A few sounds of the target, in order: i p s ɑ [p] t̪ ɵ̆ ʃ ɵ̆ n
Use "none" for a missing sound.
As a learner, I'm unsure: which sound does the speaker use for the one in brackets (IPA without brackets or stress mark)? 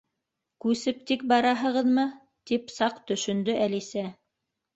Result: q